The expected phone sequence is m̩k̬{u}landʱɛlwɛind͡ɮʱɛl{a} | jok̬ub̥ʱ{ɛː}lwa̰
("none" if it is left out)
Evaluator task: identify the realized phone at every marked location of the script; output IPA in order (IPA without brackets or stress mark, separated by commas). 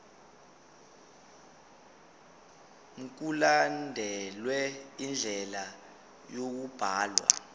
u, a, aː